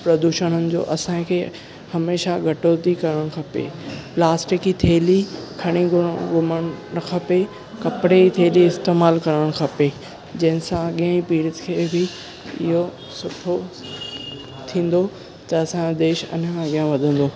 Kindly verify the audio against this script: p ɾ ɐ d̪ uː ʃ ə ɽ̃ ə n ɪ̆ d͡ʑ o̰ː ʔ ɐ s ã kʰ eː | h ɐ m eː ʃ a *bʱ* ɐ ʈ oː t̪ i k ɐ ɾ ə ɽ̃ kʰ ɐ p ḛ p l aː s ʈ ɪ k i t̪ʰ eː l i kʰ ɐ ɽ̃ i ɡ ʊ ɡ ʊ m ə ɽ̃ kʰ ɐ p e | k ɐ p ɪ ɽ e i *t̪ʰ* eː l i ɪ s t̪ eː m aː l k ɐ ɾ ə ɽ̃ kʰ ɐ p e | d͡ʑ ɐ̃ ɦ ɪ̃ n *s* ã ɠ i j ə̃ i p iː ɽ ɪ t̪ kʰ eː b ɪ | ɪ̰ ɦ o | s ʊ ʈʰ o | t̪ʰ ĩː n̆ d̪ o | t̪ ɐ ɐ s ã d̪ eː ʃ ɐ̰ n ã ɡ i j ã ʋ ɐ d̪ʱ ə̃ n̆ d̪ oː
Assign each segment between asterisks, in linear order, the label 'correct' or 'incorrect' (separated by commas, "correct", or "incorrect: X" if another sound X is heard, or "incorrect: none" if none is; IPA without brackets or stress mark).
incorrect: ɡʱ, correct, correct